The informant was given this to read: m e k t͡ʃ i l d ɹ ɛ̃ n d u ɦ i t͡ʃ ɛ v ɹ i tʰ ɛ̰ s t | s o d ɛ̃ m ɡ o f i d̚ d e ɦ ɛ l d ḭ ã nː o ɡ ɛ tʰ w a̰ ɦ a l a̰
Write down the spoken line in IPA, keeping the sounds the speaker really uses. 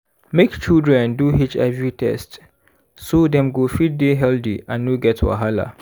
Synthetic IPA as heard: m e k t͡ʃ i l d ɹ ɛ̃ n d u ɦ i t͡ʃ ɛ v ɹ i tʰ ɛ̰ s t | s o d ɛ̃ m ɡ o f i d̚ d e ɦ ɛ l d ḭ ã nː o ɡ ɛ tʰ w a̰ ɦ a l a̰